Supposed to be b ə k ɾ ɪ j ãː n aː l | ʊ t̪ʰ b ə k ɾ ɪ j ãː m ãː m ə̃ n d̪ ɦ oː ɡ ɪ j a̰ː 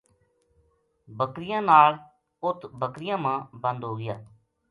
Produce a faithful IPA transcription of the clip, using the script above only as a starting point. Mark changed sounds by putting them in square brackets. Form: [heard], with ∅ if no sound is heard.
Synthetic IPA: b ə k ɾ ɪ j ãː n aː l | ʊ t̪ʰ b ə k ɾ ɪ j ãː m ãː [b] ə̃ n d̪ ɦ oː ɡ ɪ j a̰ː